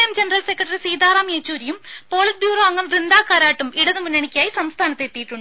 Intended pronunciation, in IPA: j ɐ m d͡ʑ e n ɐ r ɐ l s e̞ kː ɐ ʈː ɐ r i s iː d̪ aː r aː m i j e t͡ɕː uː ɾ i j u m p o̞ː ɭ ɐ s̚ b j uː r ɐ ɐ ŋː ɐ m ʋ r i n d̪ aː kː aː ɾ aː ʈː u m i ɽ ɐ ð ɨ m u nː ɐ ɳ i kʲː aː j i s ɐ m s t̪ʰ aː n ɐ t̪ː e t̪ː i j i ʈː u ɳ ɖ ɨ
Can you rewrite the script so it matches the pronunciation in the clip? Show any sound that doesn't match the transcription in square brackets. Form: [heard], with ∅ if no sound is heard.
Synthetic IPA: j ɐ m d͡ʑ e n ɐ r ɐ l s e̞ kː ɐ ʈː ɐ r i s iː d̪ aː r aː m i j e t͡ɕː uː ɾ i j u m p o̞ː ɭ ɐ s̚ b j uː r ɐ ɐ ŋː ɐ m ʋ r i n d̪ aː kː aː ɾ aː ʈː u m i ɽ ɐ ð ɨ m u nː ɐ ɳ i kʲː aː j i s ɐ m s t̪ʰ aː n ɐ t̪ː e t̪ː i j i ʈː u ɳ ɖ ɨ